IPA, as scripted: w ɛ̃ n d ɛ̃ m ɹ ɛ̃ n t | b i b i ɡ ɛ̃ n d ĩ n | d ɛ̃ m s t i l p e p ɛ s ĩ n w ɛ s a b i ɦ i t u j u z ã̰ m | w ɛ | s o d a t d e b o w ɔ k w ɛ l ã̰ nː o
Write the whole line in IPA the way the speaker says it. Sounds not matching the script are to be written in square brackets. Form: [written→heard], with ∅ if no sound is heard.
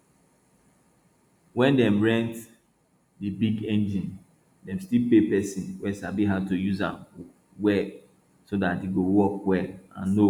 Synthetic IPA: w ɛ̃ n d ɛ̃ m ɹ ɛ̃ n t | [b→d] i b i ɡ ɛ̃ n [d→d͡ʒ] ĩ n | d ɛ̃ m s t i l p e p ɛ s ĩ n w ɛ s a b i ɦ [i→a] t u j u z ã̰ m | w ɛ | s o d a t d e [b→ɡ] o w ɔ k w ɛ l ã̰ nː o